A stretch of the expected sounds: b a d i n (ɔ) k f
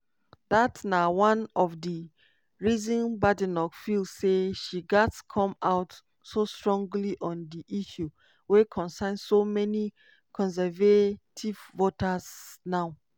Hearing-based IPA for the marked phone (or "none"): ɔ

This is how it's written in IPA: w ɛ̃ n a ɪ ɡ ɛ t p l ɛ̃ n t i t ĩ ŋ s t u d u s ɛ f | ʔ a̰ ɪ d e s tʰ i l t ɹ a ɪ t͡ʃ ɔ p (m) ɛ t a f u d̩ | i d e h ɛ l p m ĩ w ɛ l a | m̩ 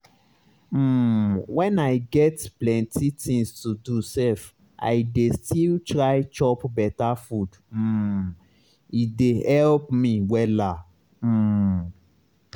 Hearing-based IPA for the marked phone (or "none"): b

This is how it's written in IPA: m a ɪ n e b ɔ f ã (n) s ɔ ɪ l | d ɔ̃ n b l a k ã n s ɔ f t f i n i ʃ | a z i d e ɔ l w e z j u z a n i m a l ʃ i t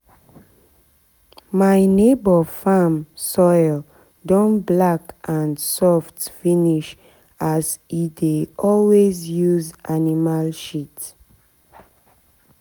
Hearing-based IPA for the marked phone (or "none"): m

